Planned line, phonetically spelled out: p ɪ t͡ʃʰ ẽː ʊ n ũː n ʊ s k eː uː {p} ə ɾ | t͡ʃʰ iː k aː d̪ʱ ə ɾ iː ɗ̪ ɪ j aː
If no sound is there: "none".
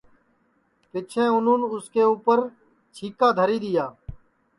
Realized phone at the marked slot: p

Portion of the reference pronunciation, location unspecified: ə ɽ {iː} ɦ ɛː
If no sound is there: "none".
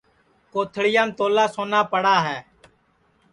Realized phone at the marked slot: aː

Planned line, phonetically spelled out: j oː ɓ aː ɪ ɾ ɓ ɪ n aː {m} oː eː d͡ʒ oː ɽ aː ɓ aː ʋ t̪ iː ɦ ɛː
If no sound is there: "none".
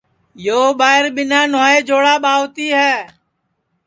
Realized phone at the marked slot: n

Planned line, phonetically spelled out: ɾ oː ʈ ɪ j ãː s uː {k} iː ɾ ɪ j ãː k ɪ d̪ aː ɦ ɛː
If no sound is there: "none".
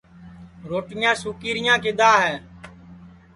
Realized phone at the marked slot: k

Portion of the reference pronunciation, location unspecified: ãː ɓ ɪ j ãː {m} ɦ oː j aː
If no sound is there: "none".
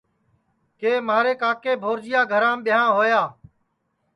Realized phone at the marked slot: none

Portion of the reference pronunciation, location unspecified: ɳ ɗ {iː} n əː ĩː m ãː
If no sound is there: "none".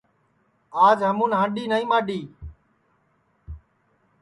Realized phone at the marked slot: iː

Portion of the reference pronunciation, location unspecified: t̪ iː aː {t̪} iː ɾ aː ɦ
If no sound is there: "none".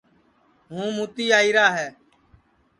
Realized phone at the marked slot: none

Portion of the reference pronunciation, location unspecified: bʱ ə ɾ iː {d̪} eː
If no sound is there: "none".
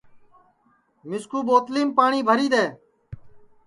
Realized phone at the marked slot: d̪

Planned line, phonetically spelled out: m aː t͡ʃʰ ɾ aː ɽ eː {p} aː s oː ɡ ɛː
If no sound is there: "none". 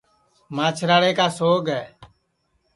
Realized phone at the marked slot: k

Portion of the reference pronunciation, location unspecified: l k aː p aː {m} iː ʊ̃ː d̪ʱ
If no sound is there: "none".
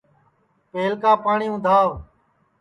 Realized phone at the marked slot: ɳ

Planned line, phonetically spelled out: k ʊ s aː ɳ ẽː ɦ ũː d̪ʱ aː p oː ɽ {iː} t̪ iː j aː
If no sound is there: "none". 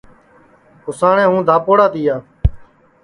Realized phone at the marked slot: aː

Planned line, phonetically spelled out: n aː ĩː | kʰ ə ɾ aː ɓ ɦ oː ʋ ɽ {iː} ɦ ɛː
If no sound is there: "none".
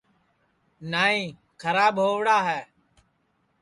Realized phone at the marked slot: aː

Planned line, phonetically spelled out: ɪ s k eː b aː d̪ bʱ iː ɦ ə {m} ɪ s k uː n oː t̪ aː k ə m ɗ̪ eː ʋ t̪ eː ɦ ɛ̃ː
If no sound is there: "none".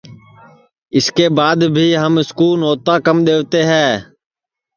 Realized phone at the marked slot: m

